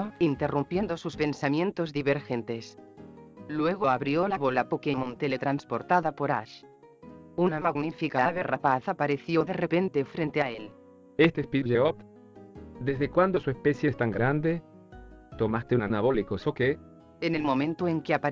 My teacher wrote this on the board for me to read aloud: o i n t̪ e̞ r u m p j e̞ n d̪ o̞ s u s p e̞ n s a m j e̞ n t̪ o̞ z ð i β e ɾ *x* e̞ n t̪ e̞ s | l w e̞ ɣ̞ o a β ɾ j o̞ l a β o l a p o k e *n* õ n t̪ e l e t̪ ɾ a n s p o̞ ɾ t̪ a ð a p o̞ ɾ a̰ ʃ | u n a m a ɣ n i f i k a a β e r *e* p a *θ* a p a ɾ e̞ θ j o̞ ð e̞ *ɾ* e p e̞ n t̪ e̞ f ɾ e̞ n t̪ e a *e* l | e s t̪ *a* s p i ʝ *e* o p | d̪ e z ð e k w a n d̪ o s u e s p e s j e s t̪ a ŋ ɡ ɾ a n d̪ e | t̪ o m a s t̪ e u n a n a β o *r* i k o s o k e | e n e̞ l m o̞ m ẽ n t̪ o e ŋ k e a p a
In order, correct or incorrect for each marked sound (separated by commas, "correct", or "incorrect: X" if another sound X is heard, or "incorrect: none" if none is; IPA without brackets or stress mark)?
correct, incorrect: m, incorrect: a, correct, incorrect: r, correct, incorrect: e, correct, incorrect: l